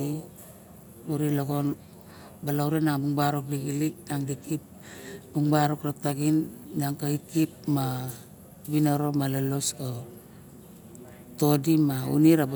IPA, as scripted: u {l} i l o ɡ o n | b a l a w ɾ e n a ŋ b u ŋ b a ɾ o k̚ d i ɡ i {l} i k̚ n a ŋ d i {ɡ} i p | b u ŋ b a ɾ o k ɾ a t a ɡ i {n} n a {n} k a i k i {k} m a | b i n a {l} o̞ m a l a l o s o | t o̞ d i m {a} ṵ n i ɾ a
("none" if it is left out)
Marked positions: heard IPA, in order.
ɾ, l, k, n, ŋ, p, ɾ, a

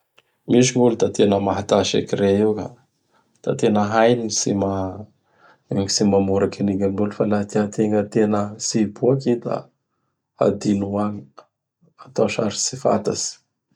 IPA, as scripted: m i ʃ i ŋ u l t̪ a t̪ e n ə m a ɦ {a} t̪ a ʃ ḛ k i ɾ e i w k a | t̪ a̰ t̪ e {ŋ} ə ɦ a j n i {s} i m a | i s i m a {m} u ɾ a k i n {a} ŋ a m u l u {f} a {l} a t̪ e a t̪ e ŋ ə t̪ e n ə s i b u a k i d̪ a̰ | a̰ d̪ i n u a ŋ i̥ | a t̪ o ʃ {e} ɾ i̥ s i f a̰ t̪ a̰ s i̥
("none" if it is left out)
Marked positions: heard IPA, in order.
a, n, s, m, i, f, l, a

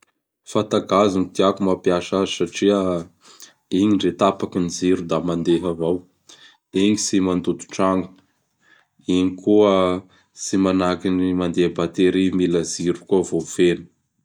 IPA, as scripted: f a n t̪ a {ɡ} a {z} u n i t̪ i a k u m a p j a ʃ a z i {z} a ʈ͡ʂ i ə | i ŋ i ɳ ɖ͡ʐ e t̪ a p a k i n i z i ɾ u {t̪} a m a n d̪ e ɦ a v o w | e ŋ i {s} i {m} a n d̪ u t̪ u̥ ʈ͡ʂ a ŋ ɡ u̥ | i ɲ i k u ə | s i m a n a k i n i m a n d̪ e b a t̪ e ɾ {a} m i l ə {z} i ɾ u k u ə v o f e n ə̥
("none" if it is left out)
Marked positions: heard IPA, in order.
ɡ, z, s, d̪, s, m, i, z

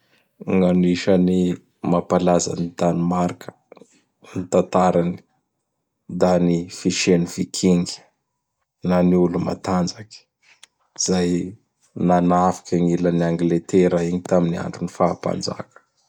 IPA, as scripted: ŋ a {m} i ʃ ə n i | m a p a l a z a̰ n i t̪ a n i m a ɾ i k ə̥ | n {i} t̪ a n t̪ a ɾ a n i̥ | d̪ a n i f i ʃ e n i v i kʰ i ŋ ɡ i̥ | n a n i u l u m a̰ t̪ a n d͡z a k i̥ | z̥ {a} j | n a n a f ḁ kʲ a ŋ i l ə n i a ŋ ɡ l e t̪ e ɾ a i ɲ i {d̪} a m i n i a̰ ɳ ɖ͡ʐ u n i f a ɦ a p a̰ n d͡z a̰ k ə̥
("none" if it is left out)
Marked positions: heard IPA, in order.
n, i, a, t̪

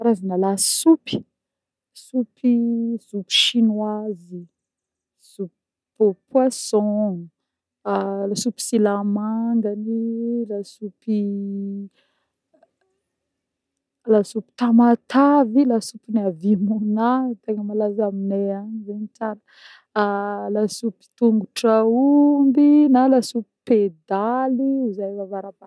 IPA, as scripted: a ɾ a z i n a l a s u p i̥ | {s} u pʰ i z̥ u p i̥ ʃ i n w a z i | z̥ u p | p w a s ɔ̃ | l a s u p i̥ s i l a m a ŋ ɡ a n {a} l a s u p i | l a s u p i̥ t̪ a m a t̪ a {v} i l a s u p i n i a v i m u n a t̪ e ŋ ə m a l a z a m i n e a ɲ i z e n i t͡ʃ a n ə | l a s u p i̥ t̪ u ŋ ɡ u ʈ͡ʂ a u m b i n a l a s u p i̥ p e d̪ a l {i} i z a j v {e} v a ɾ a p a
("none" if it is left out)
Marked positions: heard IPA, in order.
s, i, v, i, a

